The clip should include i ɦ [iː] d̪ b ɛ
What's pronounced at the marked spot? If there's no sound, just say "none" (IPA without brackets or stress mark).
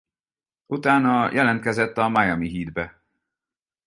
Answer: iː